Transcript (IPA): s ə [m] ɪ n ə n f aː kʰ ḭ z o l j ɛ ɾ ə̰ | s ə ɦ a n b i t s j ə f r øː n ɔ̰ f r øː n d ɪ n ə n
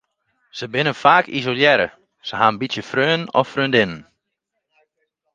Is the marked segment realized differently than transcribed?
yes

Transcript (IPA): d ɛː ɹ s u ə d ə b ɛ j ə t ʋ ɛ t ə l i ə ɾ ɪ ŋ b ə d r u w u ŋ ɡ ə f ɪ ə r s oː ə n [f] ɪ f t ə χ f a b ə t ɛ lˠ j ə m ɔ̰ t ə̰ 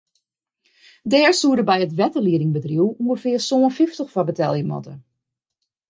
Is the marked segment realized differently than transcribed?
no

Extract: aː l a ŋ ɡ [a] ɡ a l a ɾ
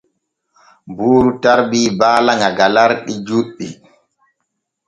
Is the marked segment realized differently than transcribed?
no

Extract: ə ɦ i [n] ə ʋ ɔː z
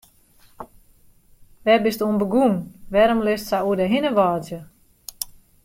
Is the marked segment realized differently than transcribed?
no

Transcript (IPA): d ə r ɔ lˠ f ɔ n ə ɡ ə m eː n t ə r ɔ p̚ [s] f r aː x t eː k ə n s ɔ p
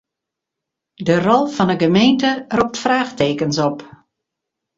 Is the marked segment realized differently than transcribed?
yes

